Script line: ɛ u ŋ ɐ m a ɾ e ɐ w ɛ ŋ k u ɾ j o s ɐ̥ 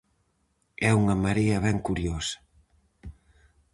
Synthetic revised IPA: ɛ u ŋ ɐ m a ɾ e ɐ β ɛ ŋ k u ɾ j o s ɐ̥